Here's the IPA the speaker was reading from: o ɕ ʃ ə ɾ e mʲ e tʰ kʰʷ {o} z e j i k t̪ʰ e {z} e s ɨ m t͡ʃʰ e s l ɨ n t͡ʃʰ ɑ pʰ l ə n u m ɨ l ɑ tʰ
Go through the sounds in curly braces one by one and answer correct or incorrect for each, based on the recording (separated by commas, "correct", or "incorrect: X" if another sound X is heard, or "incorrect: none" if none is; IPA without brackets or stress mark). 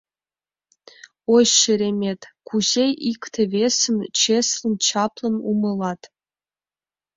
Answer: incorrect: u, incorrect: v